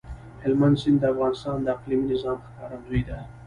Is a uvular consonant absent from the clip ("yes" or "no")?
no